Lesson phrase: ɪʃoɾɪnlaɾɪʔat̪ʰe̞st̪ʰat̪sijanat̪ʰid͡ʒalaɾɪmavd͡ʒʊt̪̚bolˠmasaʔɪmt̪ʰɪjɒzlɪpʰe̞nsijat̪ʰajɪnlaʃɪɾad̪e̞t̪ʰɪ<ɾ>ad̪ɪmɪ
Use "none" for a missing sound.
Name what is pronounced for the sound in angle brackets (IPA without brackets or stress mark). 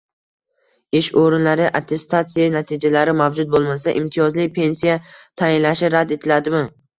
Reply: l